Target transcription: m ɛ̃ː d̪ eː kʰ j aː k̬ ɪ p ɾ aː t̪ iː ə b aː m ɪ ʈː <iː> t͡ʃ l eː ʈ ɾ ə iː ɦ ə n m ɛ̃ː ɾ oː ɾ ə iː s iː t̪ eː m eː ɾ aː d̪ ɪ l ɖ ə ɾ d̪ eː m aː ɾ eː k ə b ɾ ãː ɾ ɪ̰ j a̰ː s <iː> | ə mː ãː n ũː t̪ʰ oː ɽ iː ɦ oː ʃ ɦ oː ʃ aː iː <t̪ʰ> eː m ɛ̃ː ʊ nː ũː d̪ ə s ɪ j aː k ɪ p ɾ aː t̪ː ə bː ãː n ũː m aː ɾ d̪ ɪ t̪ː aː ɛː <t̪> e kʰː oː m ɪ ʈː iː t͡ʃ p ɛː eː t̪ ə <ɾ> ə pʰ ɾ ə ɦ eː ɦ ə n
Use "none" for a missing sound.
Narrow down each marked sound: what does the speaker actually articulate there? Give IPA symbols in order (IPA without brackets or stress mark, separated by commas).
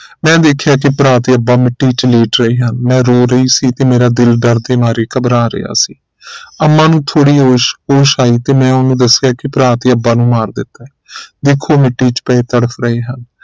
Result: iː, iː, t̪, d̪, ɽ